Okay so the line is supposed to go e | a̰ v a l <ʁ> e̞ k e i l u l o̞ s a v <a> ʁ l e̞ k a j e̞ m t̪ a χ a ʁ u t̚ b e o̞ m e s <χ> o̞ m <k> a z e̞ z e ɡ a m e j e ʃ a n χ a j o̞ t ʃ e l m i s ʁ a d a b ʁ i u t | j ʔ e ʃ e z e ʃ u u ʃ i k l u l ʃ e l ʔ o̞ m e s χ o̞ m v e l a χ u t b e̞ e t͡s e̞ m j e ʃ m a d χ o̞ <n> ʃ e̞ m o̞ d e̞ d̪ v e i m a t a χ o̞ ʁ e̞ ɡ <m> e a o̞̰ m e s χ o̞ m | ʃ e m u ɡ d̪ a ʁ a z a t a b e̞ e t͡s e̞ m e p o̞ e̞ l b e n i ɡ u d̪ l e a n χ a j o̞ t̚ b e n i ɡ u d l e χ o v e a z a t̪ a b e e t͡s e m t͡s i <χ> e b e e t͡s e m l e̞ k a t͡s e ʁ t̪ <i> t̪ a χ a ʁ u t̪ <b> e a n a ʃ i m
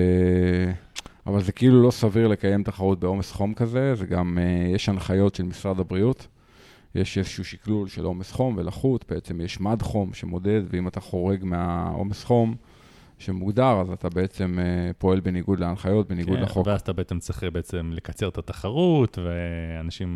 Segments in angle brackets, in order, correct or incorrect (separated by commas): incorrect, incorrect, correct, correct, incorrect, correct, correct, incorrect, incorrect